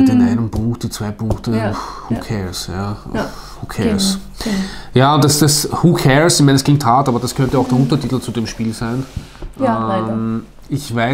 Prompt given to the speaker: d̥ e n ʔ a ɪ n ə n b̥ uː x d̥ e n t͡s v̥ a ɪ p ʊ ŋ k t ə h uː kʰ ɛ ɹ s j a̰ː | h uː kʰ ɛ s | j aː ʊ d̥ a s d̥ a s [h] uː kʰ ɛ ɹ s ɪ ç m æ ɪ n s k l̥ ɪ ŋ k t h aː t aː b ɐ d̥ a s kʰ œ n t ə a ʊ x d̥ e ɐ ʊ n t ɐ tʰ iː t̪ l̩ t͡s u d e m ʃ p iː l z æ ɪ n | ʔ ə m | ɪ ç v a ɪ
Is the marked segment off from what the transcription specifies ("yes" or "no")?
no